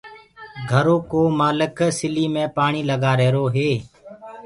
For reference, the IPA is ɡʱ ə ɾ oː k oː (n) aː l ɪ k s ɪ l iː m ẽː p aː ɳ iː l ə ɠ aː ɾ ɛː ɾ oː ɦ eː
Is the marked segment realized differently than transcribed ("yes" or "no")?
yes